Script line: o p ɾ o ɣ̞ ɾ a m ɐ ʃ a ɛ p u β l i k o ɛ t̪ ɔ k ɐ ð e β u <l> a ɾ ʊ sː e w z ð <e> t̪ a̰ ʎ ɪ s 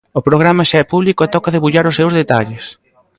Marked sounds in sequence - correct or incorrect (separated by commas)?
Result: incorrect, correct